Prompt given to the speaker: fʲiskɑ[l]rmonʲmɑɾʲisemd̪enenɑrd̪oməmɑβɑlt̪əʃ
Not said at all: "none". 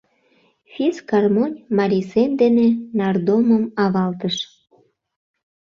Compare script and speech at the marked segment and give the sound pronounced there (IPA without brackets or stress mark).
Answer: none